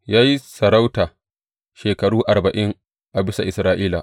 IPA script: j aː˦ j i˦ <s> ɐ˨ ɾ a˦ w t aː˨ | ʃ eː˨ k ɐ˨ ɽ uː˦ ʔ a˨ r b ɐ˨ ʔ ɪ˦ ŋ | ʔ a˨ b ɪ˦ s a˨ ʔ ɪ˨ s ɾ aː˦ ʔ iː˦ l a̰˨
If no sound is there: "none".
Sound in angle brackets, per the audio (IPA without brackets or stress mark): s